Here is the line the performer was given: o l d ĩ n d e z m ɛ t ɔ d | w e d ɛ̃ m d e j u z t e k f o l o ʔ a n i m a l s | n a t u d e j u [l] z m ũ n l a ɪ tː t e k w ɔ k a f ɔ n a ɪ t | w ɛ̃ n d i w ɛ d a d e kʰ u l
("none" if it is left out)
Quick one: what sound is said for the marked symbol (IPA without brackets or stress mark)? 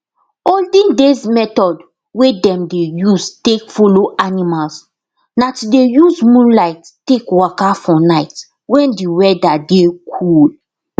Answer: none